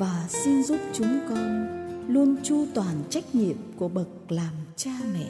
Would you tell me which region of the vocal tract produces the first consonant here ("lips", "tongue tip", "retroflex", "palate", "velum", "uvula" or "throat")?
lips